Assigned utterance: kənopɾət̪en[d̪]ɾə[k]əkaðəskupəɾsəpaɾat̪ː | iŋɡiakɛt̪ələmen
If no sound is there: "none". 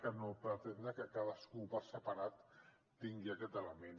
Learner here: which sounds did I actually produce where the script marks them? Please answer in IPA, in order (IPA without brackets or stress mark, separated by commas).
d̪, k